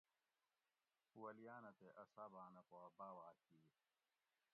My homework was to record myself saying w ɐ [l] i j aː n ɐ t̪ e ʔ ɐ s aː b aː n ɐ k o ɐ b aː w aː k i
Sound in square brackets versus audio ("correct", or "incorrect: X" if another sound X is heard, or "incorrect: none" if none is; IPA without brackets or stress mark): correct